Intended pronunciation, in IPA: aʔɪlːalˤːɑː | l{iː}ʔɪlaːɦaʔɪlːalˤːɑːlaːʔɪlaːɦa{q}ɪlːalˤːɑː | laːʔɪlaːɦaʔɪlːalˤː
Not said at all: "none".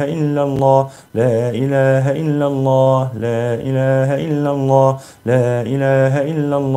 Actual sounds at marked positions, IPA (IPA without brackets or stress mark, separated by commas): aː, ʔ